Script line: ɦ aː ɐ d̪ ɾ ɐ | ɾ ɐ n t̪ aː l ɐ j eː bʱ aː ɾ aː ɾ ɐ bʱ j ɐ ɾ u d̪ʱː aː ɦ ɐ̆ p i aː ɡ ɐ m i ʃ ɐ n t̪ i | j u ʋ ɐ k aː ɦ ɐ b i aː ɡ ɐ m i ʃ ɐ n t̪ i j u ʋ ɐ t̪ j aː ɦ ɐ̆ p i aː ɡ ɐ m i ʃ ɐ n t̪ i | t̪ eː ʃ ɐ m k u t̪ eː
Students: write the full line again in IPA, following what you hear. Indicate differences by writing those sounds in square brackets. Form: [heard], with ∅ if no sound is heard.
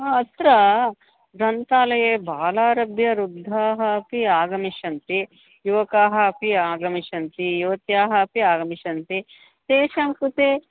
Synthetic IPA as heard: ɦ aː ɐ [t̪] ɾ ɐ | ɾ ɐ n t̪ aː l ɐ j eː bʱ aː [l] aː ɾ ɐ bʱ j ɐ ɾ u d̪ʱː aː ɦ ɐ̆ p i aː ɡ ɐ m i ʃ ɐ n t̪ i | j u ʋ ɐ k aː ɦ ɐ [p] i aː ɡ ɐ m i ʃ ɐ n t̪ i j u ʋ ɐ t̪ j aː ɦ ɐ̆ p i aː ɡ ɐ m i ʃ ɐ n t̪ i | t̪ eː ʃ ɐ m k u t̪ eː